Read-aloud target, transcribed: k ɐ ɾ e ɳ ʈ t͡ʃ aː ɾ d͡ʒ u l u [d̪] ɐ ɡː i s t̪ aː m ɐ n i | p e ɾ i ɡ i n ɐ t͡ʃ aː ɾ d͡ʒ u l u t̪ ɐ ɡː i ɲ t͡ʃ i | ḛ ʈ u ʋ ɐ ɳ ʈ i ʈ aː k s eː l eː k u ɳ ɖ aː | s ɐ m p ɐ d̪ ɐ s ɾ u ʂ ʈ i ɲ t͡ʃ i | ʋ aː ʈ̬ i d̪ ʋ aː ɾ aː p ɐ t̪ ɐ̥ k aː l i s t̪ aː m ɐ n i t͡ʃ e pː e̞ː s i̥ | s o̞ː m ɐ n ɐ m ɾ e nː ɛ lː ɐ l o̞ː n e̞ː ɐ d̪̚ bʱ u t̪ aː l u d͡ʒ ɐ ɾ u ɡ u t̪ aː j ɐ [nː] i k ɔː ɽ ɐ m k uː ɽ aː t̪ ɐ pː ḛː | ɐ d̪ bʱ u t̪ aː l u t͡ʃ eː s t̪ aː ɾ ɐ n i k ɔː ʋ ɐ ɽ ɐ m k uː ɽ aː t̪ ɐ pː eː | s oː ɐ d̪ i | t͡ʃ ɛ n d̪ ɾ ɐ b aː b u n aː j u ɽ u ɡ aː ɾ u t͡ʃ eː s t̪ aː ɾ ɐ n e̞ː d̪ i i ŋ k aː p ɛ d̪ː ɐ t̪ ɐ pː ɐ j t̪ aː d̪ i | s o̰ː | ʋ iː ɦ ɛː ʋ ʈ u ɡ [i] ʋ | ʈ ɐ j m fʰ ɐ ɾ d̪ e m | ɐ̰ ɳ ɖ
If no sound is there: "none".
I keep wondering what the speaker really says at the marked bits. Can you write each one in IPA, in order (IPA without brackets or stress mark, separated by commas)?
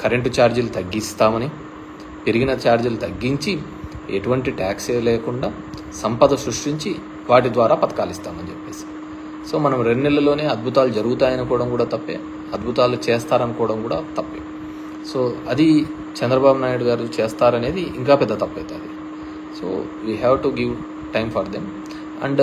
t̪, n, i